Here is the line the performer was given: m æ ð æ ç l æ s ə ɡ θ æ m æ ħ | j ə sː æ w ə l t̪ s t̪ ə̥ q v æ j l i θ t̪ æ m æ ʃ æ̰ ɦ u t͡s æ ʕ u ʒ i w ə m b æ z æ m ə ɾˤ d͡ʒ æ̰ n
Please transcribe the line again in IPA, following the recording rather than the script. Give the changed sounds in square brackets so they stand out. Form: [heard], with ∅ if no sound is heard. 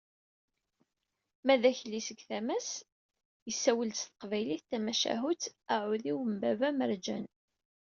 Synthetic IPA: m æ ð æ ç l [i] s ə ɡ θ æ m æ [s] | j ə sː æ w ə l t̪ s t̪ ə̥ q v æ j l i θ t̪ æ m æ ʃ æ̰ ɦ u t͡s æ ʕ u [ð] i w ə m b æ [v] æ m ə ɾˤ d͡ʒ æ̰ n